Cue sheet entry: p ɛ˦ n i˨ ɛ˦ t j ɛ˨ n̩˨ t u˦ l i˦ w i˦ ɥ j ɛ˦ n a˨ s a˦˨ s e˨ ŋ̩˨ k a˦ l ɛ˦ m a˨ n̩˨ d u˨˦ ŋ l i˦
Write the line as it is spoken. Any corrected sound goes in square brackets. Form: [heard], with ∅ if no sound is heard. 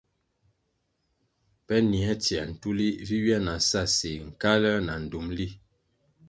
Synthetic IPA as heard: p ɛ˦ n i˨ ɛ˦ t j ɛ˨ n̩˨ t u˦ l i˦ [v] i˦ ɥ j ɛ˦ n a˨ s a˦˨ s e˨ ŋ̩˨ k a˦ l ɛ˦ [n] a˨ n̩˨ d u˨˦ [m] l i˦